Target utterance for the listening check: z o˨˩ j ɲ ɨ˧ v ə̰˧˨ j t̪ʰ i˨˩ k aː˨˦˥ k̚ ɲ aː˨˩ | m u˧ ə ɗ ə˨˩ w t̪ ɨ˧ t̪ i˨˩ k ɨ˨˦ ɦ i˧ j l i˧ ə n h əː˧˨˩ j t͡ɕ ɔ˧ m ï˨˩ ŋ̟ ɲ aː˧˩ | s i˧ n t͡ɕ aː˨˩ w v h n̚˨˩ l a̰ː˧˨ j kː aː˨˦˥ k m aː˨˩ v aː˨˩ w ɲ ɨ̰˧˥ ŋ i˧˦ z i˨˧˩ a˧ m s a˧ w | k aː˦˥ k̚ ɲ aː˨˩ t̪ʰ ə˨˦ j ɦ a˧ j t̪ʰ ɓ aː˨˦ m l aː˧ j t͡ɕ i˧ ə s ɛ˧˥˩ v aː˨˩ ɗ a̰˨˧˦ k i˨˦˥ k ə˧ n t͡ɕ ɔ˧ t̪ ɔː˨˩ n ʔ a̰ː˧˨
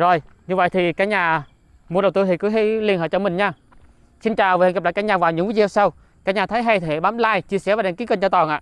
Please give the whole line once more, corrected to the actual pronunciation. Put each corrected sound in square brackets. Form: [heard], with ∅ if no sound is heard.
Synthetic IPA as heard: z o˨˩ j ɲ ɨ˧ v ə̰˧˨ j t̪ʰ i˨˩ k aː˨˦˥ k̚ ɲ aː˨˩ | m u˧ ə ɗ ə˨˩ w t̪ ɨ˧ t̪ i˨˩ k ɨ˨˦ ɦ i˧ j l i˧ ə n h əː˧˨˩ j t͡ɕ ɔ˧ m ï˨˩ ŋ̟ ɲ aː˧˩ | s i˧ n t͡ɕ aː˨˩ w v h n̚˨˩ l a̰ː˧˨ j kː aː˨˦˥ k [ɲ] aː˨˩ v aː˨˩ w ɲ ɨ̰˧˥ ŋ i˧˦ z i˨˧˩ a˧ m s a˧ w | k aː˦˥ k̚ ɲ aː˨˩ t̪ʰ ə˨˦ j ɦ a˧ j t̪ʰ ɓ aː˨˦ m l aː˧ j t͡ɕ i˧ ə s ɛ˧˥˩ v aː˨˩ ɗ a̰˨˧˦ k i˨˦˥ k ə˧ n t͡ɕ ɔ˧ t̪ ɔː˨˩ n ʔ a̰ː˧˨